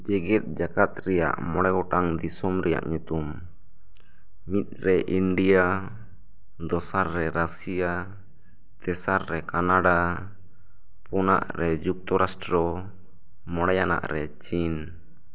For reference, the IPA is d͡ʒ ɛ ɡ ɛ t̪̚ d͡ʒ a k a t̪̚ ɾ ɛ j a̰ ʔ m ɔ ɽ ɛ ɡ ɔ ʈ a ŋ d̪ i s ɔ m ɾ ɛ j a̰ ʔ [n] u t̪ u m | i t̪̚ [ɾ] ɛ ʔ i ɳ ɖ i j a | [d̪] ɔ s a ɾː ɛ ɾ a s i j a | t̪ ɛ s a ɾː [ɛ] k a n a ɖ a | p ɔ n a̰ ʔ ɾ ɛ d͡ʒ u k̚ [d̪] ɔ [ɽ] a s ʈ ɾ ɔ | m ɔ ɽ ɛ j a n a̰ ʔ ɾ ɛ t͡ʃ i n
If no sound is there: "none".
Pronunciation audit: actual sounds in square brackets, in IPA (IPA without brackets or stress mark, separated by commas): ɲ, ɾ, d̪, ɛ, t̪, ɾ